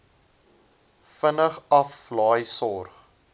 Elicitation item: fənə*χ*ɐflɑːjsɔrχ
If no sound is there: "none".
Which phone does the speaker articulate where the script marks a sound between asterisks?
χ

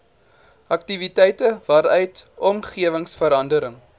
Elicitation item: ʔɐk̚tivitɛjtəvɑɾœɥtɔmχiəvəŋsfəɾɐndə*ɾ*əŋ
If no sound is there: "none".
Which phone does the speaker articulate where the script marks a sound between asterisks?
ɾ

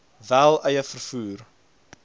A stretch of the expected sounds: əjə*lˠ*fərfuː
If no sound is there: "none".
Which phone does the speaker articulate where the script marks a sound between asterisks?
none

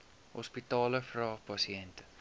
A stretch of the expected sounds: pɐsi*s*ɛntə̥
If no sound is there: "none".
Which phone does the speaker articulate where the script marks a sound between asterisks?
none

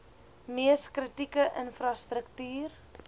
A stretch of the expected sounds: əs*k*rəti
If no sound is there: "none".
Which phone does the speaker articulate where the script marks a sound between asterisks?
k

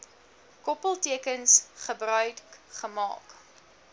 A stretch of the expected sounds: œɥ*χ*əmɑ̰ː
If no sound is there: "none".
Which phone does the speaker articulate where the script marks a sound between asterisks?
χ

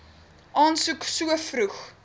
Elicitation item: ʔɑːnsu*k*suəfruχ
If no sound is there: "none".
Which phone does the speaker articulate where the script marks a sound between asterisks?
k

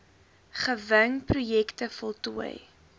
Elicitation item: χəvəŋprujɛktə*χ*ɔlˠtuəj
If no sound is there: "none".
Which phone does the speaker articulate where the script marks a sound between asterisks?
f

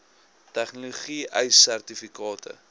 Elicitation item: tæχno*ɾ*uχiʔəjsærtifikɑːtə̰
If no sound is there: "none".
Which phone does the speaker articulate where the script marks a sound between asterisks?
l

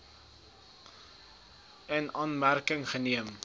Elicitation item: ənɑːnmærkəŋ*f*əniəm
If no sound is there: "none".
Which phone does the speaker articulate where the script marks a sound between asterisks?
χ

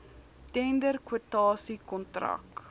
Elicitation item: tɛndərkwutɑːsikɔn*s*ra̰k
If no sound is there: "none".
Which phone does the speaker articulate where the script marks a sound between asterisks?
t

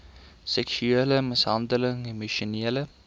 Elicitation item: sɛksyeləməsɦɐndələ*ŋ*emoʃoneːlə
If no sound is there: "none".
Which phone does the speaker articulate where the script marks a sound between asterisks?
ŋ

